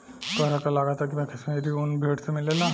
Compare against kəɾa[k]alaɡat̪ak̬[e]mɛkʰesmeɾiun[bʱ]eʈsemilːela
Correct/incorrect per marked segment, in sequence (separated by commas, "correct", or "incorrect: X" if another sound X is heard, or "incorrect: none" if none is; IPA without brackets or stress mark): correct, incorrect: i, correct